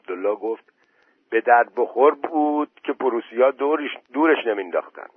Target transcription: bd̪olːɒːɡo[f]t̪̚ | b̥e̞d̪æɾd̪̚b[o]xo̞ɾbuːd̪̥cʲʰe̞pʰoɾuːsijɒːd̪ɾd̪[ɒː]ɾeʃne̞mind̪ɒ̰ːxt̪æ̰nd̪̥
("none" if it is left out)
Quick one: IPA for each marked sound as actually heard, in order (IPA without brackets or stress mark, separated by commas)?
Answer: f, o, uː